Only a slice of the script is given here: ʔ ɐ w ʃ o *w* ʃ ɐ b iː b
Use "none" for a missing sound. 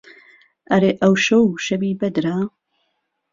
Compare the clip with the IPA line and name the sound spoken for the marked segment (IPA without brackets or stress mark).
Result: w